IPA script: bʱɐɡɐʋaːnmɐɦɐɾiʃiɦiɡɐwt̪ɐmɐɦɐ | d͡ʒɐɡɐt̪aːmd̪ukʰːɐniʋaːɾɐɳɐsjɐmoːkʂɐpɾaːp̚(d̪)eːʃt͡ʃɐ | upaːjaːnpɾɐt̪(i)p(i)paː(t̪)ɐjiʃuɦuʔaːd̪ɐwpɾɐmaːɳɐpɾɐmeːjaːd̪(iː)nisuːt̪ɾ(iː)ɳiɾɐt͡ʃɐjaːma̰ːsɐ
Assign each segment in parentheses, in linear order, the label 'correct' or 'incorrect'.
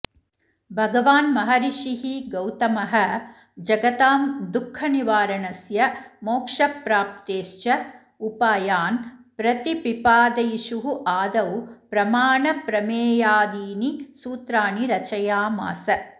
incorrect: t̪, correct, correct, incorrect: d̪, correct, incorrect: aː

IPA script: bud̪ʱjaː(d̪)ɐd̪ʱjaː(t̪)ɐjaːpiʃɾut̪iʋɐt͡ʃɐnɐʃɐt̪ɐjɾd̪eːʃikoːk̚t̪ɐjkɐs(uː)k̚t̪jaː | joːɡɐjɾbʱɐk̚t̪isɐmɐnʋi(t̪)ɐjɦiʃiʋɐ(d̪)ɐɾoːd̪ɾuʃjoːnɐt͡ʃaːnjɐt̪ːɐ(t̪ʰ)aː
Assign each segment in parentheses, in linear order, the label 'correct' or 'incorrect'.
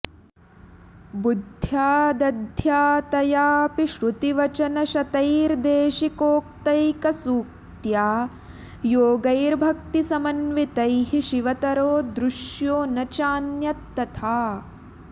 correct, correct, correct, correct, incorrect: t̪, correct

